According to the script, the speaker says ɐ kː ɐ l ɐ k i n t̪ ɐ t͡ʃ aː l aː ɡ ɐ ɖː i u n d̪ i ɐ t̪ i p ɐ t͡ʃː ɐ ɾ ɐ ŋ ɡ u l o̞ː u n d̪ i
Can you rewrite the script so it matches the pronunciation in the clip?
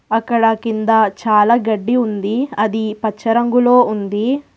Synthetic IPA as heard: ɐ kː ɐ ɽ ɐ k i n d̪ ɐ t͡ʃ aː l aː ɡ ɐ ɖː i u n d̪ i ɐ d̪ i p ɐ t͡ʃː ɐ ɾ ɐ ŋ ɡ u l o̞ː u n d̪ i